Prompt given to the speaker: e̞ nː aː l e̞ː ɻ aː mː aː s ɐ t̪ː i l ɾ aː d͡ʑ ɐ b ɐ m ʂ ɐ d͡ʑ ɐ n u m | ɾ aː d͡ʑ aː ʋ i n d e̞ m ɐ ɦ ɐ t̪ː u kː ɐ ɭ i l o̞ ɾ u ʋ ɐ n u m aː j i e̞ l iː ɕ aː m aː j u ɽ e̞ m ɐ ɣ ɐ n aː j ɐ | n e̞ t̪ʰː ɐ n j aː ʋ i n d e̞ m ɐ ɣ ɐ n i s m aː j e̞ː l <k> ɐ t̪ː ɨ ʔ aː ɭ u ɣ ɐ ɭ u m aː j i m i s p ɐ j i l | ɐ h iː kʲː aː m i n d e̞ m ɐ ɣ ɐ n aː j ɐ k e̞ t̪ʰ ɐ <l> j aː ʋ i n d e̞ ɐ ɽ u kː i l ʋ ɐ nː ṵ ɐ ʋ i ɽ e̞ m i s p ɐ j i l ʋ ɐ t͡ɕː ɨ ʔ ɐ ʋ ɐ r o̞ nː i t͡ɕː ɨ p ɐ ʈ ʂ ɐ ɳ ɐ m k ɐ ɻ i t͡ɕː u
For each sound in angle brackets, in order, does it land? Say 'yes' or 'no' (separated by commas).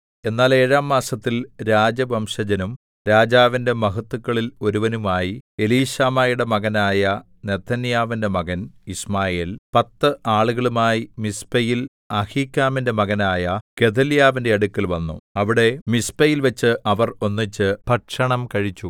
no, yes